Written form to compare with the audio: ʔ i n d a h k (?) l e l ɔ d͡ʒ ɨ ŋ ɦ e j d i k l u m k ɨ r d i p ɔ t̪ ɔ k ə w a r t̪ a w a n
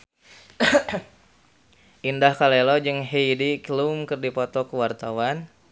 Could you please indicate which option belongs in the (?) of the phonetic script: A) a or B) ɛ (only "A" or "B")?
A